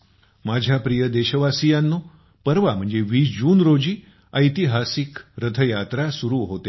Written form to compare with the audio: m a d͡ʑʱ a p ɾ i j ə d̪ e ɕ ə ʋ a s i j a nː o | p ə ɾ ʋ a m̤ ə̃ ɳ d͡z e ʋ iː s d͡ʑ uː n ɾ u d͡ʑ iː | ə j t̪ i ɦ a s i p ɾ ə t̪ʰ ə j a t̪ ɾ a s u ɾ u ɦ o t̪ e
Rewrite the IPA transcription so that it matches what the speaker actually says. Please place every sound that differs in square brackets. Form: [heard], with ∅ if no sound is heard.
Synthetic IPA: m a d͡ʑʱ a p ɾ i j ə d̪ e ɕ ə ʋ a s i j a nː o | p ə ɾ ʋ a m̤ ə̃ ɳ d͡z e ʋ iː s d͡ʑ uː n ɾ [o] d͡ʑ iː | ə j t̪ i ɦ a s i [k] ɾ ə t̪ʰ ə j a t̪ ɾ a s u ɾ u ɦ o t̪ e